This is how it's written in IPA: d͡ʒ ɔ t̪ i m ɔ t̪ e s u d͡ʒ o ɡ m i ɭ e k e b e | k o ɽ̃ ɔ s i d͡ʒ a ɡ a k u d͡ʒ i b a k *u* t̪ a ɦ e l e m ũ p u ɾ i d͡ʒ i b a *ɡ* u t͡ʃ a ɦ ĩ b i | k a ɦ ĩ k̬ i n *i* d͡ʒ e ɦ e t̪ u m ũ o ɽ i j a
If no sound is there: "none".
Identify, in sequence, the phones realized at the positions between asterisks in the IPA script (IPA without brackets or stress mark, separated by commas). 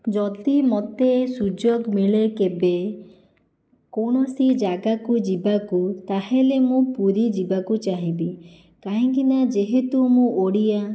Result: u, k, a